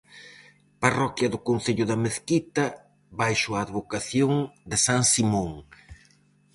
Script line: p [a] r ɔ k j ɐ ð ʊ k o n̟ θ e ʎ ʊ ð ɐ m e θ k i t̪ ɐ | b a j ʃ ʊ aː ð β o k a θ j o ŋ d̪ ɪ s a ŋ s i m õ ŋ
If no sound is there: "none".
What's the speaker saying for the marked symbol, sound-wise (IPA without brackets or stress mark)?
a